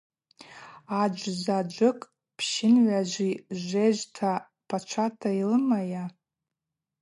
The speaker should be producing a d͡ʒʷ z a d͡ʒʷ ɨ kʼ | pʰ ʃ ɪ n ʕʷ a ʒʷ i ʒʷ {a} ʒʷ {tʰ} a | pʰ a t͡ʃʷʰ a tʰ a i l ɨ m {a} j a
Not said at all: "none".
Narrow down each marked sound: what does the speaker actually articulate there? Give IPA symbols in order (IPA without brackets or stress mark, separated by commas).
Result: e, tʰ, a